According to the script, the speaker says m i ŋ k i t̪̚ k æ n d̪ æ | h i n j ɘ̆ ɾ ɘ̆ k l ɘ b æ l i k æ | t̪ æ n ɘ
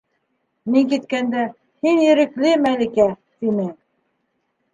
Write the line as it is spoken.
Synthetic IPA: m i ŋ k i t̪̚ k æ n d̪ æ | h i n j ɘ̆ ɾ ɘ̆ k l ɘ m æ l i k æ | t̪ i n ɘ